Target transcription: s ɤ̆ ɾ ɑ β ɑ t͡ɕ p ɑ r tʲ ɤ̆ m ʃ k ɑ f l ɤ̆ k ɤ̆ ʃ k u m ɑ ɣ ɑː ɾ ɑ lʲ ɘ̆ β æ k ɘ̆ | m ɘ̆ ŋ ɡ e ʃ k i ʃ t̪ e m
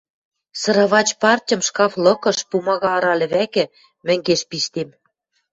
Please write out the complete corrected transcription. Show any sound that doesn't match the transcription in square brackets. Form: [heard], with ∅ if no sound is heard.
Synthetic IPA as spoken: s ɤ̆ ɾ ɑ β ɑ t͡ɕ p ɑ r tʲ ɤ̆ m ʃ k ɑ f l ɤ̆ k ɤ̆ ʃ [p] u m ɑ ɣ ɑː ɾ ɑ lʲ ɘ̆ β æ k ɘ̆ | m ɘ̆ ŋ ɡ e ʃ [p] i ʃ t̪ e m